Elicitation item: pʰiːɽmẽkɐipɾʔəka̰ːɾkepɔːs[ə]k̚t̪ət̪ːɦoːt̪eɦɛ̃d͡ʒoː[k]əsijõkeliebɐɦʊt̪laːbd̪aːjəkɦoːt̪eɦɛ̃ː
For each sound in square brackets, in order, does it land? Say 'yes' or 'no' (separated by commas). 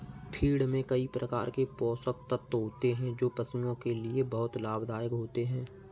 yes, no